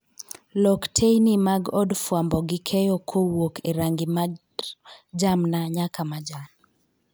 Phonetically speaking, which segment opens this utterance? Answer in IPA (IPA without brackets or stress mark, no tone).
l